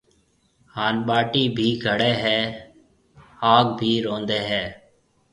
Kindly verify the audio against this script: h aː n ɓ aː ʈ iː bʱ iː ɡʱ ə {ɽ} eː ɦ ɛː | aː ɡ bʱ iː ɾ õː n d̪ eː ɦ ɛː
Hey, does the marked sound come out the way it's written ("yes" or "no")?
yes